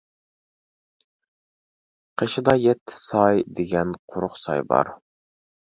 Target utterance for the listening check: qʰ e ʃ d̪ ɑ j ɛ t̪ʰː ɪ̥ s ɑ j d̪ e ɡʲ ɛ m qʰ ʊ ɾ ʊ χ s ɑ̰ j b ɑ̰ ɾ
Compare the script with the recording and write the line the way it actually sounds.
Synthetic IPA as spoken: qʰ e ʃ d̪ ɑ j ɛ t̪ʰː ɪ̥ s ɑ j d̪ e ɡʲ ɛ n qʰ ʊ ɾ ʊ χ s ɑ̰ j b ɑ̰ ɾ